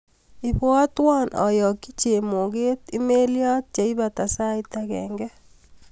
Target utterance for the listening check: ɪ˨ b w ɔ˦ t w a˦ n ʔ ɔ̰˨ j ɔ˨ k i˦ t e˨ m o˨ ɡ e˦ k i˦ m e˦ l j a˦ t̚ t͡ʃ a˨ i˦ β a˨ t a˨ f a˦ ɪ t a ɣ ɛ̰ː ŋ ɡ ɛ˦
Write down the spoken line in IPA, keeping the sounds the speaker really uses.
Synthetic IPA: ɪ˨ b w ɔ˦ t w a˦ n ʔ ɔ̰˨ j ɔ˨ k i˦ t͡ʃ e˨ m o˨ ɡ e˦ t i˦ m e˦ l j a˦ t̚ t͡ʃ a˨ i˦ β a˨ t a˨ s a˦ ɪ t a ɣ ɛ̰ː ŋ ɡ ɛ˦